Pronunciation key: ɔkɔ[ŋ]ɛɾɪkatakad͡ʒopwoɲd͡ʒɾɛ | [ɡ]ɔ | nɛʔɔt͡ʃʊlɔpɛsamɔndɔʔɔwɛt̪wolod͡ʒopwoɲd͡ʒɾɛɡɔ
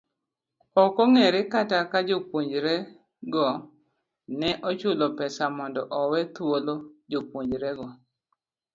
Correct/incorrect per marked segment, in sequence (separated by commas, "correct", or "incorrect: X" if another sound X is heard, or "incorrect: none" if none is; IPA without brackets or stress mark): correct, correct